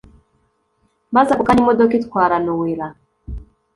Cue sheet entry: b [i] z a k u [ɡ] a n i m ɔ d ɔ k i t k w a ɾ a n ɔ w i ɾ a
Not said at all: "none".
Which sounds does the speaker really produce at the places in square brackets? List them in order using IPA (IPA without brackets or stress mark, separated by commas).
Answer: a, k